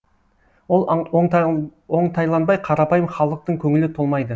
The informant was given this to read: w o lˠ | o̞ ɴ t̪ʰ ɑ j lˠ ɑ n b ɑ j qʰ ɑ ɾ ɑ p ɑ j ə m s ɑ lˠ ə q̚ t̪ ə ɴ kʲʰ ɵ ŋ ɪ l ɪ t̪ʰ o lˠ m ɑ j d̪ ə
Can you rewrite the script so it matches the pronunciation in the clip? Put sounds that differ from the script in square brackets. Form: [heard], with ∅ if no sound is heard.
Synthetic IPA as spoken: w o lˠ | o̞ ɴ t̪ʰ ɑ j lˠ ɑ n b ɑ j qʰ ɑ ɾ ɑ p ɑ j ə m [χ] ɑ lˠ ə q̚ t̪ ə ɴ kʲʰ ɵ ŋ ɪ l ɪ t̪ʰ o lˠ m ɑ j d̪ ə